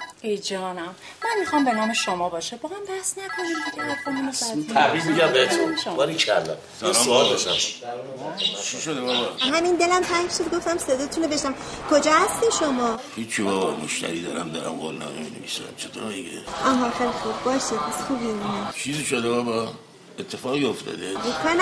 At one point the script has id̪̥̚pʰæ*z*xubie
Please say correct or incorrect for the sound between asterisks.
incorrect